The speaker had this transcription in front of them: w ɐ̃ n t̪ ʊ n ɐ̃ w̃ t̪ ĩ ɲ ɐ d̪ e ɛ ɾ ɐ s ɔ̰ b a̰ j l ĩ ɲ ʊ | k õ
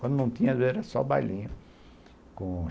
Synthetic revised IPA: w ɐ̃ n d̪ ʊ n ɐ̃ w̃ t̪ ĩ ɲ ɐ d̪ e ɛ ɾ ɐ s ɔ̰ b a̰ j l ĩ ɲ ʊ | k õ